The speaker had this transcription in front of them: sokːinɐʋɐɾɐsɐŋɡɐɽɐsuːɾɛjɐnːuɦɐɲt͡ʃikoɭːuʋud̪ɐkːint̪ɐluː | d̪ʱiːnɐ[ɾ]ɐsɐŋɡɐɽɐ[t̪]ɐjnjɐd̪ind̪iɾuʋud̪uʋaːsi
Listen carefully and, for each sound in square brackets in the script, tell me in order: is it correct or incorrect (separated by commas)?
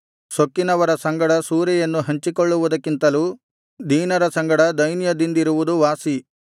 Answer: correct, incorrect